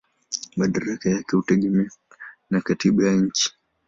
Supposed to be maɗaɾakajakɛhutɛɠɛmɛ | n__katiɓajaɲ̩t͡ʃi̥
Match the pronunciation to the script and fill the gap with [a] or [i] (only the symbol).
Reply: a